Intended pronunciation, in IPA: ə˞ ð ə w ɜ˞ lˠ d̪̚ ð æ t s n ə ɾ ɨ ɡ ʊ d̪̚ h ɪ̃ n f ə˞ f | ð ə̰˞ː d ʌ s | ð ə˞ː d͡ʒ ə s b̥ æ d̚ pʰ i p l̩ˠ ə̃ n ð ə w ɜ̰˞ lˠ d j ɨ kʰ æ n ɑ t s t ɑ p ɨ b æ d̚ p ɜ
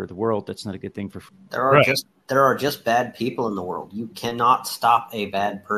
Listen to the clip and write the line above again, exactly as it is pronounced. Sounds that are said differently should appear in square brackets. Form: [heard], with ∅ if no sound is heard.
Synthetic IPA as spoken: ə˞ ð ə w ɜ˞ lˠ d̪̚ ð æ t s n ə ɾ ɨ ɡ ʊ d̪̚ [θ] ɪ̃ [ŋ] f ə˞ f | ð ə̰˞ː [d͡ʒ] ʌ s | ð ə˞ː d͡ʒ [ʌ] s b̥ æ d̚ pʰ i p l̩ˠ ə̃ n ð ə w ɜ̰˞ lˠ d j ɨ kʰ æ n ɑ t s t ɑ p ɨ b æ d̚ [pʰ] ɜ